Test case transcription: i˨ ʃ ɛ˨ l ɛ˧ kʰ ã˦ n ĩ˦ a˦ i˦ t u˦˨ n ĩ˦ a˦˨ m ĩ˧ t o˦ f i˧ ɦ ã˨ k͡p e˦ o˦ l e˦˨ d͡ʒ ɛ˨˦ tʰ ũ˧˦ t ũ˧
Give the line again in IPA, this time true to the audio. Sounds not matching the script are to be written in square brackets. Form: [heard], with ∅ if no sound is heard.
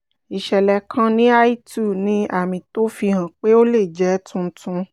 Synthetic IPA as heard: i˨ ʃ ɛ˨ l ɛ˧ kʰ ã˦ n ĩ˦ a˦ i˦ t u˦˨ n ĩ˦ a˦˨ m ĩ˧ t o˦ f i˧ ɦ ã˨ k͡p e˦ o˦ l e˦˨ d͡ʒ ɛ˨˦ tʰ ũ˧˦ t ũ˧